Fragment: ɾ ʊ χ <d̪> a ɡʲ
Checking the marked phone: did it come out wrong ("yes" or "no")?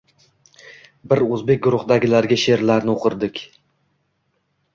no